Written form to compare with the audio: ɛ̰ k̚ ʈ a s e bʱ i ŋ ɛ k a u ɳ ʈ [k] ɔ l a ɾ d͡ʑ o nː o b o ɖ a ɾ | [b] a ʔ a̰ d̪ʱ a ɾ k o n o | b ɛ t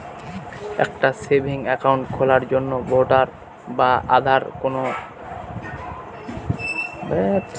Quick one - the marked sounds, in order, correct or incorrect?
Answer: incorrect: kʰ, correct

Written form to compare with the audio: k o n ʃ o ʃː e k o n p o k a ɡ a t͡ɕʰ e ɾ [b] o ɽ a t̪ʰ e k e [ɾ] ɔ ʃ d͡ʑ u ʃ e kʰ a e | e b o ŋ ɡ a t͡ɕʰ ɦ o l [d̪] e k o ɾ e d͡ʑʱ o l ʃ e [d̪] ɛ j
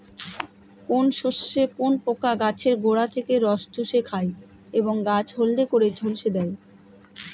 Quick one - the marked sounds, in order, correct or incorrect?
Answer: incorrect: ɡ, correct, correct, correct

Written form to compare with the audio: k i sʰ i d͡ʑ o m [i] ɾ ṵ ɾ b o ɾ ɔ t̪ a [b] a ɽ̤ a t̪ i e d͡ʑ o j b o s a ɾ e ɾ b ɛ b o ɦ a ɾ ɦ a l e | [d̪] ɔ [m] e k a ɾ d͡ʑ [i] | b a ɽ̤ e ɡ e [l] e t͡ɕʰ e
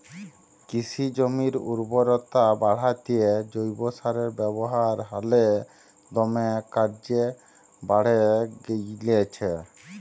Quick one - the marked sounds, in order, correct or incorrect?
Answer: correct, correct, correct, correct, incorrect: e, correct

